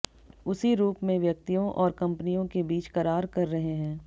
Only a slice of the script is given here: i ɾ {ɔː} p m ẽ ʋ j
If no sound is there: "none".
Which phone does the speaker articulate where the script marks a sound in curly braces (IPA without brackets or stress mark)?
uː